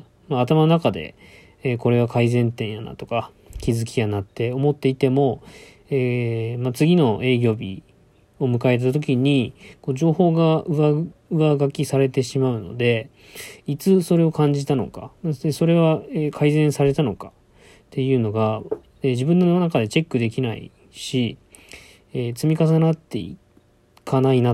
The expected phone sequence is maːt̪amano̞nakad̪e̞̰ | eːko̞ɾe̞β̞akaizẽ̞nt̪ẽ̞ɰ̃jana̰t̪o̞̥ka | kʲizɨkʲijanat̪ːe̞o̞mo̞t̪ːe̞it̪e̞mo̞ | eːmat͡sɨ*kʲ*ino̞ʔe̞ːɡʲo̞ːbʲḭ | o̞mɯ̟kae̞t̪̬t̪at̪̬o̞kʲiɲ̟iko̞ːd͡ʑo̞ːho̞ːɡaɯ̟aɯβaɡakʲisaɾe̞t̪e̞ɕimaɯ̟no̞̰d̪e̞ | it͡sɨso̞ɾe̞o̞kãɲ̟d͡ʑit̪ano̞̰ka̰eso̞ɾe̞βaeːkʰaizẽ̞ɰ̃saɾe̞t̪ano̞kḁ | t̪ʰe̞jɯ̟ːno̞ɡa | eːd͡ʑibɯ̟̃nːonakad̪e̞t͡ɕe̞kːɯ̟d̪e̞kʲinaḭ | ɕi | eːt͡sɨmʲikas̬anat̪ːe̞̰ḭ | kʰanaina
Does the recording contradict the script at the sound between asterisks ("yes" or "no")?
yes